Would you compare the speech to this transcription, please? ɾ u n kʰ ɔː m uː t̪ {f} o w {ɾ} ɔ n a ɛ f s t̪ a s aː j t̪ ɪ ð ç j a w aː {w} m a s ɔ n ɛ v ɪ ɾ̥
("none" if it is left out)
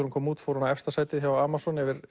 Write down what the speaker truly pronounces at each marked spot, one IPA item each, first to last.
f, ɾ, none

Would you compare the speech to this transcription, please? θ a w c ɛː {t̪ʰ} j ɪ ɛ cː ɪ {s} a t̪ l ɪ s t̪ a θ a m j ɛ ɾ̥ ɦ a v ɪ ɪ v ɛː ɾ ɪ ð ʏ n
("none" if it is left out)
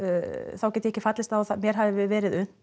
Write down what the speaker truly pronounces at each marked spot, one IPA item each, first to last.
t̪, f

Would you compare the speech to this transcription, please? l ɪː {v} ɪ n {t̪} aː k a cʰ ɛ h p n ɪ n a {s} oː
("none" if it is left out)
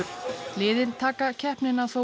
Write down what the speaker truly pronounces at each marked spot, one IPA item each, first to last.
ð, t̪ʰ, θ

